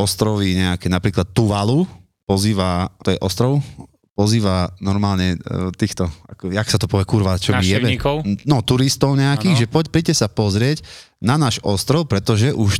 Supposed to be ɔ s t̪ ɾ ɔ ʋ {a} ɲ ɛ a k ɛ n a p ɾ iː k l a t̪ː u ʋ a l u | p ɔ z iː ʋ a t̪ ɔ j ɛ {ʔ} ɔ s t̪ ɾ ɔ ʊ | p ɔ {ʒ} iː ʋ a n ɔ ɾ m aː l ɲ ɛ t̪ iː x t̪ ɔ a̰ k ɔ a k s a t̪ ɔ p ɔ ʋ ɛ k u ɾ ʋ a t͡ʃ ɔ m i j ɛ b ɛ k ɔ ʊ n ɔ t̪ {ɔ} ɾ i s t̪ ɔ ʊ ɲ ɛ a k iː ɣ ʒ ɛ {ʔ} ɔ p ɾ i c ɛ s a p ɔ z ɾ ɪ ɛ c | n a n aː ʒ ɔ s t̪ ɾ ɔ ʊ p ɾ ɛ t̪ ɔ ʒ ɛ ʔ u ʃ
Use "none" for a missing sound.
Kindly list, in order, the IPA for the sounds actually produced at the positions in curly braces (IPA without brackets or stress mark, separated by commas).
i, ʔ, z, u, p